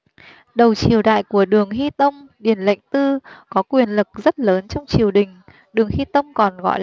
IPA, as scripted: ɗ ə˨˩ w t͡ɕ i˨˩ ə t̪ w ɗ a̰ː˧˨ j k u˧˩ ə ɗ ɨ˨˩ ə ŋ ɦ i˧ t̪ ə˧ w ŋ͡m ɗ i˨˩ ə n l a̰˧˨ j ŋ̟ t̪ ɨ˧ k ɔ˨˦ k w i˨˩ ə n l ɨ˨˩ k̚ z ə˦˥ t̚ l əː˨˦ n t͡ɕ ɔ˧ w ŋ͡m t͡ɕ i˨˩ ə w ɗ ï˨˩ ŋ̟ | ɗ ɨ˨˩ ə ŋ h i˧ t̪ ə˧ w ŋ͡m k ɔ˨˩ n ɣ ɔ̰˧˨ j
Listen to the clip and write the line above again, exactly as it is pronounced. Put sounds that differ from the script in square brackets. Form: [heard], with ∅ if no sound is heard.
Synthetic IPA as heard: ɗ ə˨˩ w t͡ɕ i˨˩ ə [∅] w ɗ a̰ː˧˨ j k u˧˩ ə ɗ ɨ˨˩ ə ŋ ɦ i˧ t̪ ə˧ w ŋ͡m ɗ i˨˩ ə n l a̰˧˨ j ŋ̟ t̪ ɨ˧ k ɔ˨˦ k w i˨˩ ə n l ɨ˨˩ k̚ z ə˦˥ t̚ l əː˨˦ n t͡ɕ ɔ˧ w ŋ͡m t͡ɕ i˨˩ ə w ɗ ï˨˩ ŋ̟ | ɗ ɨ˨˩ ə ŋ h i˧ t̪ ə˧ w ŋ͡m k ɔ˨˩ n ɣ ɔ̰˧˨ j

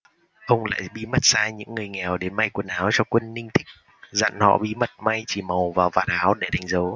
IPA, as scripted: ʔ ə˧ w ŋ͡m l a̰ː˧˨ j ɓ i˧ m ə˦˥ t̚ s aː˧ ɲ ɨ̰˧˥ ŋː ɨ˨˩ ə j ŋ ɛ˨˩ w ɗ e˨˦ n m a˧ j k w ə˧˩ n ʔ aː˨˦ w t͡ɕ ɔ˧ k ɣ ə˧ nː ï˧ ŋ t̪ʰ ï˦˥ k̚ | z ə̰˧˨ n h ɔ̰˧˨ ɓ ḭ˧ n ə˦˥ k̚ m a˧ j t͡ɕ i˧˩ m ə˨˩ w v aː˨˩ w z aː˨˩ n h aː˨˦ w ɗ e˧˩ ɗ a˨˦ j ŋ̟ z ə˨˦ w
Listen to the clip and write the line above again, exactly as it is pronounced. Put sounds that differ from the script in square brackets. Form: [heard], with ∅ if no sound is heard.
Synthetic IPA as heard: ʔ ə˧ w ŋ͡m l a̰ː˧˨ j ɓ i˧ m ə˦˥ t̚ s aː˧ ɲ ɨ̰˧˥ ŋː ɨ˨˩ ə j ŋ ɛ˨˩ w ɗ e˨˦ n m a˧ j k w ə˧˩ n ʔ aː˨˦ w t͡ɕ ɔ˧ k [w] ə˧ nː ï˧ ŋ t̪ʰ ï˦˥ k̚ | z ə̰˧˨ n h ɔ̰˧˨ ɓ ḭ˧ [m] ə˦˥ [t̚] m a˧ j t͡ɕ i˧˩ m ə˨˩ w v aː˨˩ w [v] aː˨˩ n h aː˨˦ w ɗ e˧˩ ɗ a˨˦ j ŋ̟ z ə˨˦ w

